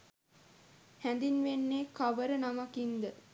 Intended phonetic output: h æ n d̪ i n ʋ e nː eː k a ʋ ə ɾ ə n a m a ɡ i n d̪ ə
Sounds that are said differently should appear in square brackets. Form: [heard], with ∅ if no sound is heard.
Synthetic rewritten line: h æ n d̪ i n ʋ e nː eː k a ʋ ə ɾ ə n a m a [k] i n d̪ ə